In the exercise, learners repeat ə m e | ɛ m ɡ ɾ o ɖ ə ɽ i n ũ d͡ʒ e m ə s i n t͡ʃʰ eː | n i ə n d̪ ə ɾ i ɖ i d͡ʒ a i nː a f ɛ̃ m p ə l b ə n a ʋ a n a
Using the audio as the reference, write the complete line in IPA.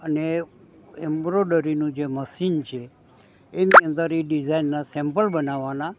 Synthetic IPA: ə n e | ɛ m b ɾ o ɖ ə ɾ i n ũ d͡ʒ e m ə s i n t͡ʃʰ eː | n i ə n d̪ ə ɾ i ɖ i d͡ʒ a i nː a s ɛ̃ m p ə l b ə n a ʋ a n a